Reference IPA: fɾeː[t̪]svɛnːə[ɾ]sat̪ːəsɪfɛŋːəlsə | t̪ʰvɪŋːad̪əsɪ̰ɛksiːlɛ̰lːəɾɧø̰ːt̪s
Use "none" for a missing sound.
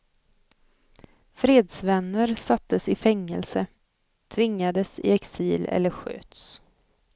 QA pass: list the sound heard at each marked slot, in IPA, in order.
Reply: d̪, ɾ

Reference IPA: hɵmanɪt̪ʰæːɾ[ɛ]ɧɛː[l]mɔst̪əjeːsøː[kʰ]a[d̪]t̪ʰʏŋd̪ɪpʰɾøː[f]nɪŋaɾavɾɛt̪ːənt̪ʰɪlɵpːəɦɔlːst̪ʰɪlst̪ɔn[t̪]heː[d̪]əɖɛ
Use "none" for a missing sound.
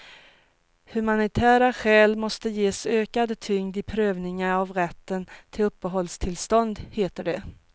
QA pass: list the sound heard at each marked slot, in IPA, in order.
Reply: a, l, k, d̪, v, d̪, t̪

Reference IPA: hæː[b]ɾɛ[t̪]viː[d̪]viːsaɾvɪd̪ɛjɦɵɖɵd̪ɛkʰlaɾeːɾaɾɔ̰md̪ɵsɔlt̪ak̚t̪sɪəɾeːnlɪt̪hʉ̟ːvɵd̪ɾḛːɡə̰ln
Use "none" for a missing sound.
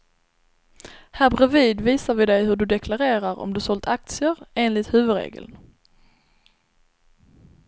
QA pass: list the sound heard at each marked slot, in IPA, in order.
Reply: b, none, d̪

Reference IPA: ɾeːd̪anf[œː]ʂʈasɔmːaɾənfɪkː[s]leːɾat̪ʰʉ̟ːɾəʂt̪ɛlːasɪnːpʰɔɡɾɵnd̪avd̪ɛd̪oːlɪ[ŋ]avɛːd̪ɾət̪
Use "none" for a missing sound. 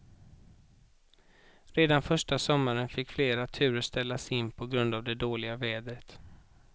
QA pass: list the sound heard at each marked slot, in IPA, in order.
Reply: œ, f, ɡ

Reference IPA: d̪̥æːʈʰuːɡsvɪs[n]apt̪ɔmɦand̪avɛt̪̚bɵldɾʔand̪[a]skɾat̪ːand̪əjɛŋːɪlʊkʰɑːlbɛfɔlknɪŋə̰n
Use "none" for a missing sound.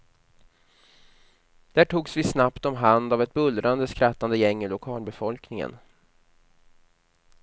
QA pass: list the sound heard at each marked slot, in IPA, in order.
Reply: n, ə

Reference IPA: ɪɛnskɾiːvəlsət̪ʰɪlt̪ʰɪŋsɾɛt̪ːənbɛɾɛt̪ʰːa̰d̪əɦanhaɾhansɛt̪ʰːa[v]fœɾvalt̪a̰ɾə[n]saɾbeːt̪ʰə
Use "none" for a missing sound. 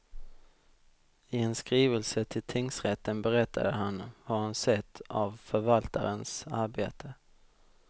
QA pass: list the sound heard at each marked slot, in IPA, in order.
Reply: v, n

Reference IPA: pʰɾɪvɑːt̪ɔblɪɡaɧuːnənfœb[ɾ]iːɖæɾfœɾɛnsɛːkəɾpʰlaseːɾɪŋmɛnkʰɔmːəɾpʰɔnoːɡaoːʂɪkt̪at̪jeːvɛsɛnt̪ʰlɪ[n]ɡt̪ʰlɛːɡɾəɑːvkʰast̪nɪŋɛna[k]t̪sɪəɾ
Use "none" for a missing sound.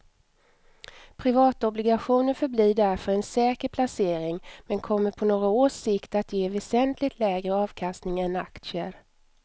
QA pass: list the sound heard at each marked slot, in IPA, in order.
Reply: l, none, k

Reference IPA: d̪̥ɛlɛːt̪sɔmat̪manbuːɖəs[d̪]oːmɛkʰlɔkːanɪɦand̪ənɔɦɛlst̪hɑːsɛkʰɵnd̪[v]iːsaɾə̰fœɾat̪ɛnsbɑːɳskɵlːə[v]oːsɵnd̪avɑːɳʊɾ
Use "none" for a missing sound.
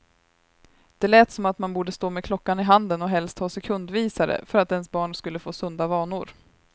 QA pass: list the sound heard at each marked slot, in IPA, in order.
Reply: t̪, v, f

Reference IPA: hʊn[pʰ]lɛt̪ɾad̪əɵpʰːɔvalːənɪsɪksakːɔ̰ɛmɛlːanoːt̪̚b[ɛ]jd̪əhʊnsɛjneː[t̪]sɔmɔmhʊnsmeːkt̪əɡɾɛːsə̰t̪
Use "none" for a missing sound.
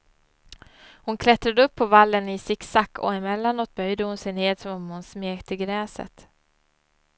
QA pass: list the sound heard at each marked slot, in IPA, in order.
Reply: kʰ, œ, d̪

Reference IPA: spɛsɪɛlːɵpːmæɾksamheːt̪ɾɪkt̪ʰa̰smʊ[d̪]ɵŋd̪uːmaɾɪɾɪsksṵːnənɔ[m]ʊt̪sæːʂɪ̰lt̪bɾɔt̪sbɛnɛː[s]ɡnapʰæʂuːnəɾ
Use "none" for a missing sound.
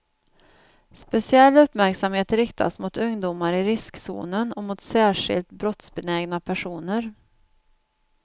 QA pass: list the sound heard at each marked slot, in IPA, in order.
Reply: t̪, m, none

